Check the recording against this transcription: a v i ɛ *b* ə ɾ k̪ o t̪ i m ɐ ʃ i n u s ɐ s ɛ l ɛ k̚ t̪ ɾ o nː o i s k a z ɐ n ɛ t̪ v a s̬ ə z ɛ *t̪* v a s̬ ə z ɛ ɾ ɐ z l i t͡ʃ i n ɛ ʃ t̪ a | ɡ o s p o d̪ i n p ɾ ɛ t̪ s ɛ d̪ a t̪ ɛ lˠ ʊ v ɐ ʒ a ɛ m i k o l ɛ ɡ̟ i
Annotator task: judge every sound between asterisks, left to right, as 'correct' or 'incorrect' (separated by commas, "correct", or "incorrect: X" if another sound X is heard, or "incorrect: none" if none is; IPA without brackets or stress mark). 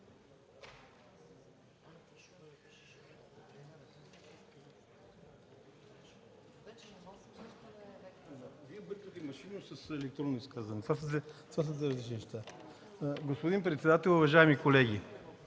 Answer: correct, correct